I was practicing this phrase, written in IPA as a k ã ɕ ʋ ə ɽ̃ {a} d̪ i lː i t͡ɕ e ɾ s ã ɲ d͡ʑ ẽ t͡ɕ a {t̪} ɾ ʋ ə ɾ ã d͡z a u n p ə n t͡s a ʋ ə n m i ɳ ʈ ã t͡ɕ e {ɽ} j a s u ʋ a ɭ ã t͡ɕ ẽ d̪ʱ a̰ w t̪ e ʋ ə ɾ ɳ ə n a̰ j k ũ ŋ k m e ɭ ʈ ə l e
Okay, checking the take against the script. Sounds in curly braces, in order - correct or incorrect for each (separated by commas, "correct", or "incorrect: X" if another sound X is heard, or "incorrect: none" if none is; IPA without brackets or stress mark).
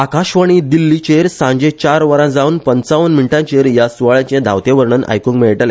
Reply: incorrect: i, incorrect: none, incorrect: ɾ